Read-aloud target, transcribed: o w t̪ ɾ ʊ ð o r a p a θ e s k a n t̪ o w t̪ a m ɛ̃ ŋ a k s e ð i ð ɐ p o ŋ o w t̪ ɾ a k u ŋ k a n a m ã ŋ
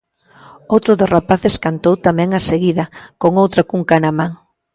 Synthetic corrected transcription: o w t̪ ɾ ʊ ð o r a p a θ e s k a n t̪ o w t̪ a m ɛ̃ ŋ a s e ɣ i ð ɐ k o ŋ o w t̪ ɾ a k u ŋ k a n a m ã ŋ